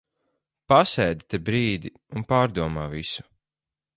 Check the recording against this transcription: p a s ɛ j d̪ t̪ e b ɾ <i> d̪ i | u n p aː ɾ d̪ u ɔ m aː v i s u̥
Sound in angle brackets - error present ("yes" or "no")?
yes